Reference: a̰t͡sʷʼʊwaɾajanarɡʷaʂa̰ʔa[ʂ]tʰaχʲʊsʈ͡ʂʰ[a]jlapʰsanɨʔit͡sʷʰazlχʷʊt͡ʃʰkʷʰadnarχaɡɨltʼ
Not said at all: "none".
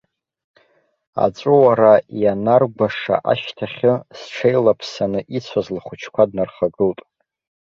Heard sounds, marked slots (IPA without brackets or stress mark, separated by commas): ʃ, e